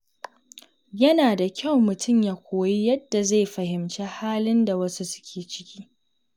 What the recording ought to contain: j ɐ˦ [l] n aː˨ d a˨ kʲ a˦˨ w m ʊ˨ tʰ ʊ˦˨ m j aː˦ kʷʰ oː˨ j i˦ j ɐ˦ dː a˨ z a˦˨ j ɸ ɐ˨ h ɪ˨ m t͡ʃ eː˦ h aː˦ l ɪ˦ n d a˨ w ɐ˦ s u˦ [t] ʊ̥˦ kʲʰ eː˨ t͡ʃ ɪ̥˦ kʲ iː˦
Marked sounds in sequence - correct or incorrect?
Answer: incorrect: none, incorrect: s

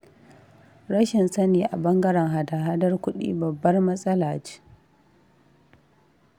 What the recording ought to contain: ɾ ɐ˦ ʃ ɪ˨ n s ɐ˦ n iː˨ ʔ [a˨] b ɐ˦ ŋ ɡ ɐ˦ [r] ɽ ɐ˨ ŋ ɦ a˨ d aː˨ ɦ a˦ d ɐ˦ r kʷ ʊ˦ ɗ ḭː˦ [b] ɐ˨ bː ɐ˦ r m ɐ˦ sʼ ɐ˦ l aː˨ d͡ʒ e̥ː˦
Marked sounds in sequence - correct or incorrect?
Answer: correct, incorrect: none, correct

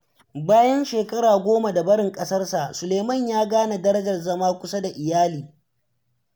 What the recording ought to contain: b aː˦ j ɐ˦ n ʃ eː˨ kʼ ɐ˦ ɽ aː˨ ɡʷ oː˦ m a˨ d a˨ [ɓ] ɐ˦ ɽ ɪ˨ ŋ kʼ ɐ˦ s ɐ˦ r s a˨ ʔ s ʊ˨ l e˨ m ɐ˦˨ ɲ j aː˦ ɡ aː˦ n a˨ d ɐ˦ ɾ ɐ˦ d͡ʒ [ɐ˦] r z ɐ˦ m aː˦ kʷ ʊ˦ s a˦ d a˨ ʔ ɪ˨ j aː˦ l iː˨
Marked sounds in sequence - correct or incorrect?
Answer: incorrect: b, incorrect: ɐ˨

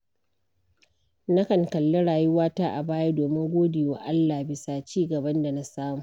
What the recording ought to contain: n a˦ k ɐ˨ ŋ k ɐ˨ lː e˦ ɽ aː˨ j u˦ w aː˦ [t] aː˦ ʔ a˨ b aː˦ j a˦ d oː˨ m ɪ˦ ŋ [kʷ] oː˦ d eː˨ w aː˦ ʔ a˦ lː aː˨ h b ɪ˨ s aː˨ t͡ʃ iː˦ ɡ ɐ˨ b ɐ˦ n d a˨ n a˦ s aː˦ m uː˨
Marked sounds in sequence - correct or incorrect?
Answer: correct, incorrect: ɡʷ

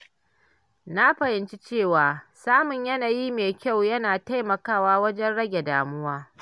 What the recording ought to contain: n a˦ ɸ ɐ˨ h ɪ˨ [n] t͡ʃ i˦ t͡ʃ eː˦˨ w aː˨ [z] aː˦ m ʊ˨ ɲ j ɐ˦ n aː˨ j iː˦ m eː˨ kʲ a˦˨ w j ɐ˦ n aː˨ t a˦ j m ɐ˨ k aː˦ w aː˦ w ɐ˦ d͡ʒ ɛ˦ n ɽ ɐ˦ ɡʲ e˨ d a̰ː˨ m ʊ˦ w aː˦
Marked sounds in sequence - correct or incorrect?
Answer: correct, incorrect: s

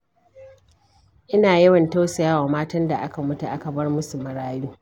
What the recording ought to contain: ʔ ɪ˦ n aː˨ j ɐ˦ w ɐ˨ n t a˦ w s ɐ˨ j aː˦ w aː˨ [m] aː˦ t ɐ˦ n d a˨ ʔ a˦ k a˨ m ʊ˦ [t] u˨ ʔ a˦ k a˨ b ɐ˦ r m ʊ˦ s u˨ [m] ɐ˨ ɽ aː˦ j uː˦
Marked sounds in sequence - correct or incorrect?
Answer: correct, correct, correct

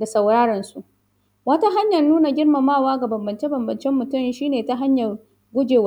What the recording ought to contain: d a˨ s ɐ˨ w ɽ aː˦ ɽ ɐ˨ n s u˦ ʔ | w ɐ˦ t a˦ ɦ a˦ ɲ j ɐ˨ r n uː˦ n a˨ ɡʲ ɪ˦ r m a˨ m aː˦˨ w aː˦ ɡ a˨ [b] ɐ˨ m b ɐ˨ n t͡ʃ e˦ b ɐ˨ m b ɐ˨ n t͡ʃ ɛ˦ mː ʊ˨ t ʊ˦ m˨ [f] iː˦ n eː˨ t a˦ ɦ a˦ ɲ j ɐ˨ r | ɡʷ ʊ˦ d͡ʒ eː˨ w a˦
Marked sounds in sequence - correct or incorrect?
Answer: correct, incorrect: ʃ

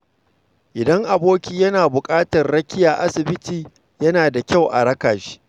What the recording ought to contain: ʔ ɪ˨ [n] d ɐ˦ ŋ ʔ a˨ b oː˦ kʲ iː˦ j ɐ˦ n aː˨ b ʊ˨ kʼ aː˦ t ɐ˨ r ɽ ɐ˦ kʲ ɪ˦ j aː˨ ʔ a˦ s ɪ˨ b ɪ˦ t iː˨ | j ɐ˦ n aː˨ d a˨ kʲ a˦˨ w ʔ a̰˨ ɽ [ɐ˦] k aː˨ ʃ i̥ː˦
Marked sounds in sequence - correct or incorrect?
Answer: incorrect: none, correct

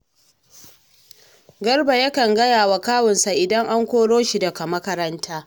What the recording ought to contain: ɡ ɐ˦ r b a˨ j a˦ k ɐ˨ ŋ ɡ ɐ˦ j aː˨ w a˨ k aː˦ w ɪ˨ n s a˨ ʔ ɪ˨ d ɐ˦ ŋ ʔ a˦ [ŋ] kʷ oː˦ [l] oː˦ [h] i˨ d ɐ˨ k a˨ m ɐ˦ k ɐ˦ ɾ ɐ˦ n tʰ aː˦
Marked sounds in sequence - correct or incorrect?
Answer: correct, incorrect: ɽ, incorrect: ʃ

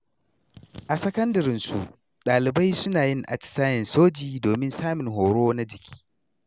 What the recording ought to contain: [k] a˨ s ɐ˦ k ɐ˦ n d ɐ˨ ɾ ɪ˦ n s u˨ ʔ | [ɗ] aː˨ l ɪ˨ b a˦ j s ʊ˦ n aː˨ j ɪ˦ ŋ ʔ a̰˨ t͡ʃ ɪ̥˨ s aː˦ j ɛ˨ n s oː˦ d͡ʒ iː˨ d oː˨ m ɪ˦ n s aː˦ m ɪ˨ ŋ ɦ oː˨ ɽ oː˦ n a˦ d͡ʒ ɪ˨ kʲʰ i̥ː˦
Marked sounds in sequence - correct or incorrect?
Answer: incorrect: ʔ, correct

